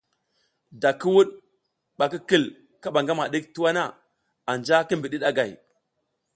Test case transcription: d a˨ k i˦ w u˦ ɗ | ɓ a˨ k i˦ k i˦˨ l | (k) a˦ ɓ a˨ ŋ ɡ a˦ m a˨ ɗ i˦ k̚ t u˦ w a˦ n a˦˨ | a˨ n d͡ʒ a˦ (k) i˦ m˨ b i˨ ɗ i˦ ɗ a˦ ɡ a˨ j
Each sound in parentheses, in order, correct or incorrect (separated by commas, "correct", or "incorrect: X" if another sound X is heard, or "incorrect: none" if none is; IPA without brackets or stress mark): correct, correct